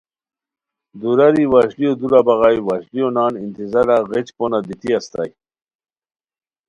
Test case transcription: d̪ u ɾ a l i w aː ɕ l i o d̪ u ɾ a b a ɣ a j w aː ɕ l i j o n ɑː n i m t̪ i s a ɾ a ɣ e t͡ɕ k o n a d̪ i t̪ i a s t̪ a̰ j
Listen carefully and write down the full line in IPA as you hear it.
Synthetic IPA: d̪ u ɾ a ɾ i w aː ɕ l i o d̪ u ɾ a b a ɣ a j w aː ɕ l i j o n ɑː n i n t̪ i z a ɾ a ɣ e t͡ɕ p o n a d̪ i t̪ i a s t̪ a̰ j